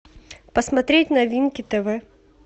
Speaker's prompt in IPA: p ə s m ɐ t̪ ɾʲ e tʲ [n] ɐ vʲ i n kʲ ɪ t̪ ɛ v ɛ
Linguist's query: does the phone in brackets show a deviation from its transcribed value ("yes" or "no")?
no